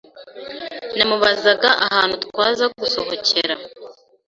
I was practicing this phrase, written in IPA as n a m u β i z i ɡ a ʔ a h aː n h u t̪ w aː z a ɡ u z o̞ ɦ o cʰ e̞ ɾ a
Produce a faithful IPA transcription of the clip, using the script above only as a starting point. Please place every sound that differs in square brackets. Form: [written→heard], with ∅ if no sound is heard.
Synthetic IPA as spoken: n a m u β [i→a] z [i→a] ɡ a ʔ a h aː n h u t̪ w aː z a ɡ u [z→s] o̞ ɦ o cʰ e̞ ɾ a